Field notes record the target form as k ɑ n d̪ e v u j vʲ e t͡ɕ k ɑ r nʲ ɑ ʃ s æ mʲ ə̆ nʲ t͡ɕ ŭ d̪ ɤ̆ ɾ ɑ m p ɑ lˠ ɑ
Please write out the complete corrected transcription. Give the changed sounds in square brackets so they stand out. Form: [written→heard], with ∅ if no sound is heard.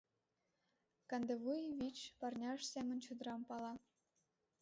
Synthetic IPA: k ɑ n d̪ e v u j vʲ [e→i] t͡ɕ [k→p] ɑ r nʲ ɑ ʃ s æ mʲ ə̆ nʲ t͡ɕ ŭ d̪ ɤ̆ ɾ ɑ m p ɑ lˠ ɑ

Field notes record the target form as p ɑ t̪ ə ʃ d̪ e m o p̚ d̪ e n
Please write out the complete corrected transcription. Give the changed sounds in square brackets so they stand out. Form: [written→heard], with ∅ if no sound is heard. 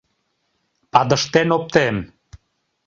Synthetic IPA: p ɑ [t̪→d̪] ə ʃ [d̪→t̪] e [m→n] o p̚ [d̪→t̪] e [n→m]

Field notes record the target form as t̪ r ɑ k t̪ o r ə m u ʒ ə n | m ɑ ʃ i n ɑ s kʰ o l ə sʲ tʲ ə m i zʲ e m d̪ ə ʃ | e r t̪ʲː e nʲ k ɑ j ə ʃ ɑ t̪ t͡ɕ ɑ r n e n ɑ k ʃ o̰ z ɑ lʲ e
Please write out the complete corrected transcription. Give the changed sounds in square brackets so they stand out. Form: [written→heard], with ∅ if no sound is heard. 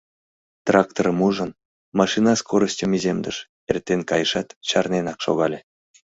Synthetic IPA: t̪ r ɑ k t̪ o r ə m u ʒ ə n | m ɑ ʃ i n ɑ s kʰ o [l→ɾ] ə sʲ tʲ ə m i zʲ e m d̪ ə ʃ | e r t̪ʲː e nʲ k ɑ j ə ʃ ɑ t̪ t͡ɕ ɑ r n e n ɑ k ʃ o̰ [z→ɣ] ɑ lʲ e

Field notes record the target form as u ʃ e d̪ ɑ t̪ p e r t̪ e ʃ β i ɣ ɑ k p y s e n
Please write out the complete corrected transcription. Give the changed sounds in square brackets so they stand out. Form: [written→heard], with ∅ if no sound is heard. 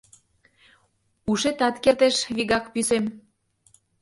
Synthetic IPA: u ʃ e [d̪→t̪] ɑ t̪ [p→k] e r t̪ e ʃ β i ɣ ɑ k p y s e [n→m]

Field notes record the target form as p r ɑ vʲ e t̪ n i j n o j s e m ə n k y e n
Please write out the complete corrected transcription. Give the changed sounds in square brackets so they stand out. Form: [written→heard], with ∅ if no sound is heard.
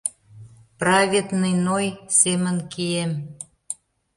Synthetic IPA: p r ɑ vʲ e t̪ n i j n o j s e m ə n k [y→i] e [n→m]

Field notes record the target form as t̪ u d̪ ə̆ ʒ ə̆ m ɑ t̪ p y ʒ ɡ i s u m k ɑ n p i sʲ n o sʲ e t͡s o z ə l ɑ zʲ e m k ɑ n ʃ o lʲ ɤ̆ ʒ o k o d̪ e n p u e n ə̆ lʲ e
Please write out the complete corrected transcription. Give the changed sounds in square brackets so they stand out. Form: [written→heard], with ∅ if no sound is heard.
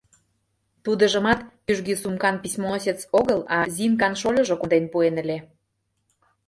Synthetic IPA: t̪ u d̪ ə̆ ʒ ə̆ m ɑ t̪ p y ʒ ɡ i s u m k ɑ n p i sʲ [n→m] o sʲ e t͡s o [z→ɣ] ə l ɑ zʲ [e→i] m k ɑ n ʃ o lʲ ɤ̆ ʒ o k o d̪ e n p u e n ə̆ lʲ e

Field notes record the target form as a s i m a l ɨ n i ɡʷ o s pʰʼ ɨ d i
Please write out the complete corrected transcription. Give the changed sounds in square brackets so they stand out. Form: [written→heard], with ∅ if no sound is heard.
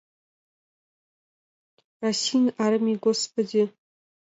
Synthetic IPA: a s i [m→n] a [l→ɾ] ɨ [n→m] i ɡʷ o s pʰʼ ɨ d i

